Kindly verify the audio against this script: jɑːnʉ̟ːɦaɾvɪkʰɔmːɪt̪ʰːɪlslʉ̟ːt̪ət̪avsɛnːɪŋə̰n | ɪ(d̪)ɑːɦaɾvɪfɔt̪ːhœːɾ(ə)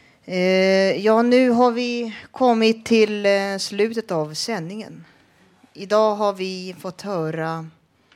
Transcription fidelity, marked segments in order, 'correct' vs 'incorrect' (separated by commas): correct, incorrect